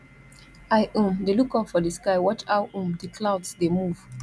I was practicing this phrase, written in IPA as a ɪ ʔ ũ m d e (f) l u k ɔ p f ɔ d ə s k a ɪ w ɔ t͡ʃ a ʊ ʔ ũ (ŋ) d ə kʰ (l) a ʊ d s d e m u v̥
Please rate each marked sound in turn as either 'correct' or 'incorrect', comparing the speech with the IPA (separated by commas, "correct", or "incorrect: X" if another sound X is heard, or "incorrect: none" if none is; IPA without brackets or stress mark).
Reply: incorrect: none, incorrect: m, correct